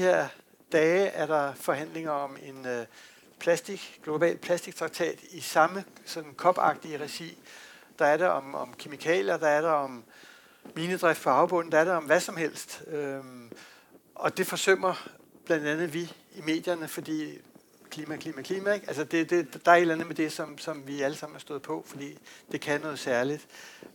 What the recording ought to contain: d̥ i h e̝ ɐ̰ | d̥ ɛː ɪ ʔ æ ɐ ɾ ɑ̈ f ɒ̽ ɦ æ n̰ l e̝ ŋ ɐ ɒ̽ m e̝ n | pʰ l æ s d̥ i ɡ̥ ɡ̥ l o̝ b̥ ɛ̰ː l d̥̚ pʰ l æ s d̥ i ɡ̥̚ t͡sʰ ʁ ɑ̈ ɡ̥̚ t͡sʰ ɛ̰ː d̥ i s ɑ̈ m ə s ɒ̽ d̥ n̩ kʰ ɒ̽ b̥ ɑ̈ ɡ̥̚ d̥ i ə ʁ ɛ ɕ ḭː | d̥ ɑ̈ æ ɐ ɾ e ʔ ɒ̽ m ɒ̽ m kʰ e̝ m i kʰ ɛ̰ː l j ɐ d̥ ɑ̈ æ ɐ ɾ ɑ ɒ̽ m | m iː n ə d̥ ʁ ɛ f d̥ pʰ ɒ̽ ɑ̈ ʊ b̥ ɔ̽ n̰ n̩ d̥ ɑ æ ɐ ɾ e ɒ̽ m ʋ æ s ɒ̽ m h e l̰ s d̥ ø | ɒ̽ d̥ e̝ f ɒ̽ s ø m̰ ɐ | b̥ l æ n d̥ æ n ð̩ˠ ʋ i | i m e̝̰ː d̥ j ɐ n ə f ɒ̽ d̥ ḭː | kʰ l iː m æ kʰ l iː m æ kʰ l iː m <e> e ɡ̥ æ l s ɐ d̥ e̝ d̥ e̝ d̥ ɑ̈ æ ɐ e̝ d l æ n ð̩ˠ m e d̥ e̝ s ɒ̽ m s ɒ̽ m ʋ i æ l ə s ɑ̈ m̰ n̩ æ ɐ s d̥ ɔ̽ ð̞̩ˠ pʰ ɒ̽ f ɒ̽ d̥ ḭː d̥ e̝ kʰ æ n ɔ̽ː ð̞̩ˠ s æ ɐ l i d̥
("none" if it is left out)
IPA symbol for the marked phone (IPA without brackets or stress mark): æ